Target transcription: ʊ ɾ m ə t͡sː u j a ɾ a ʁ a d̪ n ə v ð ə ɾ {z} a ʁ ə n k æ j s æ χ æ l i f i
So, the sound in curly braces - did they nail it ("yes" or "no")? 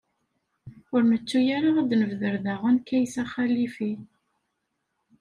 no